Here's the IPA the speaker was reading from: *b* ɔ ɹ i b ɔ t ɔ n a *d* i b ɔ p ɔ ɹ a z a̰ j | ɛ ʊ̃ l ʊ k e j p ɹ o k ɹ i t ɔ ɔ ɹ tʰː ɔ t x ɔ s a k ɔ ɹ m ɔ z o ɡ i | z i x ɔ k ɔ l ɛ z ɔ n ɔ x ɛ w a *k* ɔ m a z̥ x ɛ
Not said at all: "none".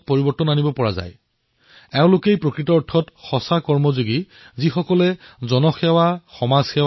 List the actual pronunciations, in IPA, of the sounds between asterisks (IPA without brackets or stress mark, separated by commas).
p, n, x